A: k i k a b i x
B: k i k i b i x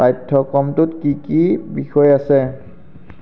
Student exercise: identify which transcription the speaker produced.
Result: B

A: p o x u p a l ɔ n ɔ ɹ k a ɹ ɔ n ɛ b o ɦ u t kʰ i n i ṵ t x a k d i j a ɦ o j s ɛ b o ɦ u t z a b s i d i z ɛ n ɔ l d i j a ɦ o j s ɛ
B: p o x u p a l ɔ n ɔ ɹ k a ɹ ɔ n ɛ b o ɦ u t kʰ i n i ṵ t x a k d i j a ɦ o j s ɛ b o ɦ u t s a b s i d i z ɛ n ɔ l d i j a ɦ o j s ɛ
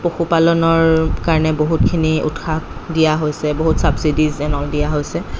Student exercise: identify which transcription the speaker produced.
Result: B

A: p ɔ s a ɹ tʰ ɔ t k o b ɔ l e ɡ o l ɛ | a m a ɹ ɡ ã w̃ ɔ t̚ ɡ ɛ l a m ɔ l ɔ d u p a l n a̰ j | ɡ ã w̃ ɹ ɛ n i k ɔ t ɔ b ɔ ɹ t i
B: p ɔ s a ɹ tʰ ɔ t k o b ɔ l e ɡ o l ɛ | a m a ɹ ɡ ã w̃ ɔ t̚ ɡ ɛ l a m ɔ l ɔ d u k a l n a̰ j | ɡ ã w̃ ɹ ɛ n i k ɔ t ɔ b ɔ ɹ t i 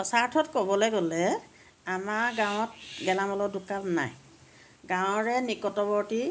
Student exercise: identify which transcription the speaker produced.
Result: B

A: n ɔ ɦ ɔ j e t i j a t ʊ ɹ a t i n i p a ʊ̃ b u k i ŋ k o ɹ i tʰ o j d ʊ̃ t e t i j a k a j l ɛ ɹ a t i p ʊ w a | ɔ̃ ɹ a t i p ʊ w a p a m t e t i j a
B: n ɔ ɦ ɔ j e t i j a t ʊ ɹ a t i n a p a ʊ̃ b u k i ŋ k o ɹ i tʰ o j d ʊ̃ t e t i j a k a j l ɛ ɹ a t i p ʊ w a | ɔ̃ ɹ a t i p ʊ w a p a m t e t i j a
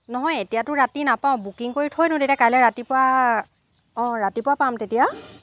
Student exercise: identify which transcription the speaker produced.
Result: B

